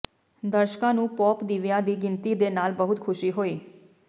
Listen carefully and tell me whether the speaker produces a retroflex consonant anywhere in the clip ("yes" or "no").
no